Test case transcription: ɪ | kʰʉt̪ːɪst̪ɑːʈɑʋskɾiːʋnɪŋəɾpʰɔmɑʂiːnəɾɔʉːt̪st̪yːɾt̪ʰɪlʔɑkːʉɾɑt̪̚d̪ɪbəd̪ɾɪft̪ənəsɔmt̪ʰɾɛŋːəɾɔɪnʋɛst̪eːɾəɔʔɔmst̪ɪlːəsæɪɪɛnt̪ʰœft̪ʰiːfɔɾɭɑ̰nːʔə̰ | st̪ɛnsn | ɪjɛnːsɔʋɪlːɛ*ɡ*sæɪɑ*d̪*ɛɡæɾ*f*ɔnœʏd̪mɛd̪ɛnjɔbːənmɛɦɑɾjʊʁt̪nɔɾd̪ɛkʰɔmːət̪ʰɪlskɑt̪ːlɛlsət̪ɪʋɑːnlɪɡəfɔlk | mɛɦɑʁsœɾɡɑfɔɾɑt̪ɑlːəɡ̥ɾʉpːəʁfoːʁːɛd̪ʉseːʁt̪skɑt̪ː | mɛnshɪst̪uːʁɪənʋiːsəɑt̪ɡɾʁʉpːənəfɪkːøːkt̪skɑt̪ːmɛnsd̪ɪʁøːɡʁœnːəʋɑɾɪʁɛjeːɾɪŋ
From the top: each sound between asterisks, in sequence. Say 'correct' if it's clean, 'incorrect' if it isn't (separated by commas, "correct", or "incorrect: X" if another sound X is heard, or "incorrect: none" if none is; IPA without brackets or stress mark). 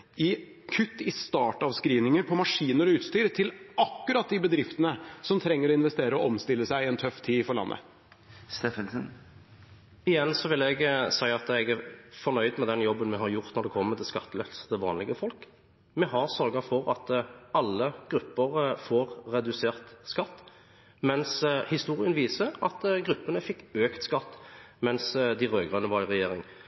correct, incorrect: t̪, correct